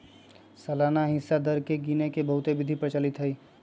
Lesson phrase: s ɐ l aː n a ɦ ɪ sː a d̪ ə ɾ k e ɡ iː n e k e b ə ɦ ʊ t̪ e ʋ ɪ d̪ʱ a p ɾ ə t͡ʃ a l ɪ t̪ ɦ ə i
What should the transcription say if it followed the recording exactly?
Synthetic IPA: s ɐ l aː n a ɦ ɪ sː a d̪ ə ɾ k e ɡ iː n e k e b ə ɦ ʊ t̪ e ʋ ɪ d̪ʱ i p ɾ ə t͡ʃ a l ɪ t̪ ɦ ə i